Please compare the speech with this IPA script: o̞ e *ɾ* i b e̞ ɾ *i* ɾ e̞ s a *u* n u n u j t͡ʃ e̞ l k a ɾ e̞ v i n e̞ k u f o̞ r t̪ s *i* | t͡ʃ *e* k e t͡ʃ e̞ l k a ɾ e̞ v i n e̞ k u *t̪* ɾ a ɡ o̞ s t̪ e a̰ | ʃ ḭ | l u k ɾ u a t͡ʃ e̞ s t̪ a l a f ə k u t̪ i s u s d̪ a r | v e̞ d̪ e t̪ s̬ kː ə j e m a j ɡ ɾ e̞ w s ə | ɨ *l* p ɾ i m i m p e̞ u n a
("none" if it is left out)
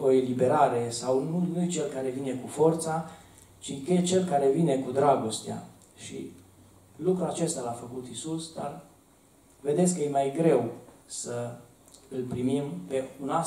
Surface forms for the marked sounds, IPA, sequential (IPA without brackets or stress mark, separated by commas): l, a, w, a, i, d̪, l